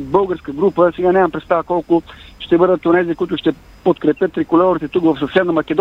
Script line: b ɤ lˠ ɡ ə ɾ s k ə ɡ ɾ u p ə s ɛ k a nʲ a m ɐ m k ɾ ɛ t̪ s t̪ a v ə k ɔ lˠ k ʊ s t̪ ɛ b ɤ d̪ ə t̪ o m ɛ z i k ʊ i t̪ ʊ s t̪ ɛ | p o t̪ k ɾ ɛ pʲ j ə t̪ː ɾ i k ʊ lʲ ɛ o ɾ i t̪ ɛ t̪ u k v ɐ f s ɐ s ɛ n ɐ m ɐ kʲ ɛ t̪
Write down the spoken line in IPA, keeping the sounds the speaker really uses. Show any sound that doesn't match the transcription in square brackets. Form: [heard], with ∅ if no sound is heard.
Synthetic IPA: b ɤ lˠ ɡ ə ɾ s k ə ɡ ɾ u p ə s ɛ [ɡ] a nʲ a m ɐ m [p] ɾ ɛ t̪ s t̪ a v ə k ɔ lˠ k ʊ [ʃ] t̪ ɛ b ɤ d̪ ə t̪ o [n] ɛ z i k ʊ i t̪ ʊ [ʃ] t̪ ɛ | p o t̪ k ɾ ɛ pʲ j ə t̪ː ɾ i k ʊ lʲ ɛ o ɾ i t̪ ɛ t̪ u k v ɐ f s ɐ s ɛ n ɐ m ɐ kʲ ɛ [d̪]